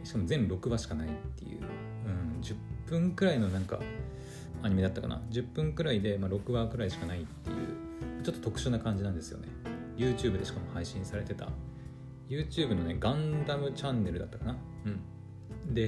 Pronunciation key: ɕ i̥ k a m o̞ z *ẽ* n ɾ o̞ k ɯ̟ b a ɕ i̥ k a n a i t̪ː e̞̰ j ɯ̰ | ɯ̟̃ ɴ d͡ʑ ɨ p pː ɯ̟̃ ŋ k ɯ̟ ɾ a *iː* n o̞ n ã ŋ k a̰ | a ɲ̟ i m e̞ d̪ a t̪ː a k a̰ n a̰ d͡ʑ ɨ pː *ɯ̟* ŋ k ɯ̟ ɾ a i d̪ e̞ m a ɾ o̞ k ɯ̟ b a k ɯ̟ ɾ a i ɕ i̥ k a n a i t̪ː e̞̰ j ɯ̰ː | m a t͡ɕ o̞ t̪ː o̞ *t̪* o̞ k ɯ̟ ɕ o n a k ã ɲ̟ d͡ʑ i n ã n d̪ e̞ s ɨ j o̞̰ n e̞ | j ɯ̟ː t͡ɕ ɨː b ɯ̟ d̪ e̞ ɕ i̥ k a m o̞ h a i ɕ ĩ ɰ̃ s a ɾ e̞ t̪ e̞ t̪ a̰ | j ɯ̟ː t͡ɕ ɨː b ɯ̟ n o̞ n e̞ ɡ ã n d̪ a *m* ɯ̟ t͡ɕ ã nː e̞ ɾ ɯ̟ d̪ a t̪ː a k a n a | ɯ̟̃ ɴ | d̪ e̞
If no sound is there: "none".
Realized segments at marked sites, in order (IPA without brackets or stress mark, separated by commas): ẽ, i, ɯ̟̃, t̪, m